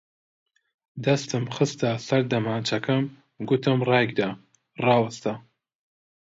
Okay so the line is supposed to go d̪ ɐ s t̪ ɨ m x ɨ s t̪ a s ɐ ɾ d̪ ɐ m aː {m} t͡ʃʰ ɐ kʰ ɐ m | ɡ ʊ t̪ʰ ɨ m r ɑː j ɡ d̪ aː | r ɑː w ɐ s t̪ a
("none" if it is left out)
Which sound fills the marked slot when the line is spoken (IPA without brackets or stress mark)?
n